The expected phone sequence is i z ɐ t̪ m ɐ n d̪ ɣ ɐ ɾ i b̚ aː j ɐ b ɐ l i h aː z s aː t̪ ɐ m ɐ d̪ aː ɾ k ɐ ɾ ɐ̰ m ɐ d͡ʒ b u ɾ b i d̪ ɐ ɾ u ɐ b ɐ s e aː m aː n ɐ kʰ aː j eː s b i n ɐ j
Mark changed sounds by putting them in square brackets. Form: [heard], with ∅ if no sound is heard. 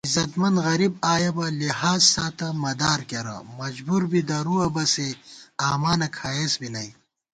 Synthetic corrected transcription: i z ɐ t̪ m ɐ n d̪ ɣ ɐ ɾ i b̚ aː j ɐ b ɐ l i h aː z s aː t̪ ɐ m ɐ d̪ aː ɾ k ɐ ɾ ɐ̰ m ɐ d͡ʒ b u ɾ b i d̪ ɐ ɾ u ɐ b ɐ s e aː m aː n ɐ kʰ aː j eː s b i n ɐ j

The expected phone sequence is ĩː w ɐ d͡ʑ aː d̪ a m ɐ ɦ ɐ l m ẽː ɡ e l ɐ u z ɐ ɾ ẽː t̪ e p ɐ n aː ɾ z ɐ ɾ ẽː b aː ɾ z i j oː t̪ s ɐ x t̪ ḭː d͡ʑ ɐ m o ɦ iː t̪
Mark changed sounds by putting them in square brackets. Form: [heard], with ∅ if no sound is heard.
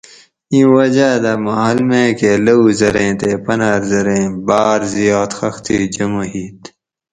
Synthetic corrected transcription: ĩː w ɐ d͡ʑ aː d̪ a m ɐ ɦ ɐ l m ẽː [k] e l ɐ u z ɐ ɾ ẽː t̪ e p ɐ n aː ɾ z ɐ ɾ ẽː b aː ɾ z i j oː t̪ [x] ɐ x t̪ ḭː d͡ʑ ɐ m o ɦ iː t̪

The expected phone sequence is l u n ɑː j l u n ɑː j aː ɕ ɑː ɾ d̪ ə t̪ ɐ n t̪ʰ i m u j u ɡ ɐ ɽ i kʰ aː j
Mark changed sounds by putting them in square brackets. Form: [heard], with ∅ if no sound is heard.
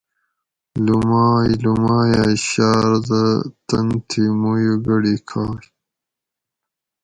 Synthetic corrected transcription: l u [m] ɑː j l u [m] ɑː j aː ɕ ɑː ɾ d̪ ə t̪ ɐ n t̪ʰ i m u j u ɡ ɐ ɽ i kʰ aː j

